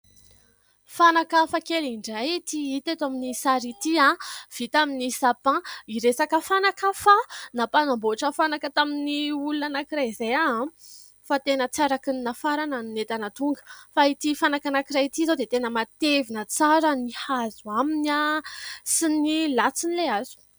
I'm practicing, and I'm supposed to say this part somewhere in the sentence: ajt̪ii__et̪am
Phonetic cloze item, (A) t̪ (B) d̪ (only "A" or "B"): A